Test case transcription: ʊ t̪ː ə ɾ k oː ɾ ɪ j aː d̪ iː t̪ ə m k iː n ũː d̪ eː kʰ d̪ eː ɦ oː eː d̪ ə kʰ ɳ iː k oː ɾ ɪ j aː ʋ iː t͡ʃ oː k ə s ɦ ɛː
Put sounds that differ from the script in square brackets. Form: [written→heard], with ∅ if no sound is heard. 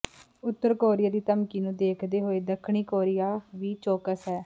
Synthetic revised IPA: ʊ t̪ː ə ɾ k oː ɾ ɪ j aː d̪ iː t̪ ə m k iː n ũː d̪ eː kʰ d̪ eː ɦ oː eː d̪ ə kʰ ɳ iː k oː ɾ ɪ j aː ʋ iː t͡ʃ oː k ə s ɦ ɛː